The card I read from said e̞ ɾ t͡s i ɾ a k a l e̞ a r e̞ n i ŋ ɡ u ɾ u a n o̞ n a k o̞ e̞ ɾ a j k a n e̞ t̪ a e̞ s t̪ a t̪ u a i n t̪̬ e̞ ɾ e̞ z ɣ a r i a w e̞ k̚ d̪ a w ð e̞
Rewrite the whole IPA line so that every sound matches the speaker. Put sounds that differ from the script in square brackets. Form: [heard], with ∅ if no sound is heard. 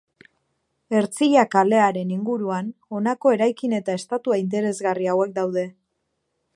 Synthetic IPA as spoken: e̞ ɾ t͡s i [ʎ] a k a l e̞ a [ɾ] e̞ n i ŋ ɡ u ɾ u a n o̞ n a k o̞ e̞ ɾ a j k [i] n e̞ t̪ a e̞ s t̪ a t̪ u a i n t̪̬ e̞ ɾ e̞ z ɣ a r i a w e̞ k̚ d̪ a w ð e̞